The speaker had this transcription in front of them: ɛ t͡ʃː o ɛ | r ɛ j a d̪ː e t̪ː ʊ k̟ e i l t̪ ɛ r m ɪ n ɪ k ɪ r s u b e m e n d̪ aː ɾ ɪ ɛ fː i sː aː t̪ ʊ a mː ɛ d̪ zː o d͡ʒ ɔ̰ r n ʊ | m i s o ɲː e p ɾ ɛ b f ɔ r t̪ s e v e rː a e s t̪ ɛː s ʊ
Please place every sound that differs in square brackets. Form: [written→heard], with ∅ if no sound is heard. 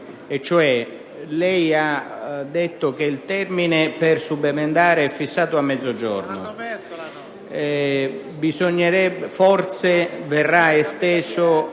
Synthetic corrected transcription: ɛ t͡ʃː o ɛ | [r→l] ɛ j a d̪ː e t̪ː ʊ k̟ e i l t̪ ɛ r m [ɪ→i] n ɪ [k→p] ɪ r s u b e m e n d̪ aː ɾ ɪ ɛ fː i sː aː t̪ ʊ a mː ɛ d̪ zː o d͡ʒ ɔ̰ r n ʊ | [m→b] i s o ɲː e [p→∅] ɾ ɛ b f ɔ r t̪ s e v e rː a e s t̪ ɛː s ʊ